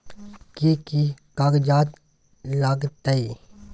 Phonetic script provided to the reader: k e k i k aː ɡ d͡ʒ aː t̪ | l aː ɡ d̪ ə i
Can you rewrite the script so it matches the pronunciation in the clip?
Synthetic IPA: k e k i k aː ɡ d͡ʒ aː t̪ | l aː ɡ t̪ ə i